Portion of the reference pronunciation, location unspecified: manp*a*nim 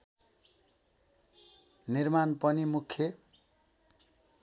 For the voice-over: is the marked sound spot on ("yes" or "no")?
no